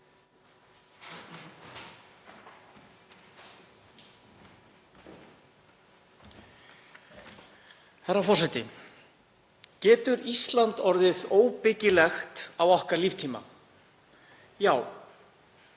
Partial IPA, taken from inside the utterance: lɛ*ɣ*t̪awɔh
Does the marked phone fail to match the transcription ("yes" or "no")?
yes